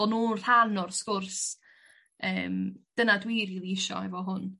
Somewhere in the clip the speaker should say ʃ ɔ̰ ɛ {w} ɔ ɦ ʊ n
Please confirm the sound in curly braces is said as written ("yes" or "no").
no